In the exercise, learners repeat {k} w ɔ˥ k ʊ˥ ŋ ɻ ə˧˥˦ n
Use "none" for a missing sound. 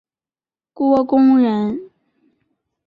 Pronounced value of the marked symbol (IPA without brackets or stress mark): k